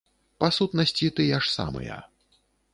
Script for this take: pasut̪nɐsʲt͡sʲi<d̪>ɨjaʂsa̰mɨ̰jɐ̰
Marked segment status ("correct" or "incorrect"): incorrect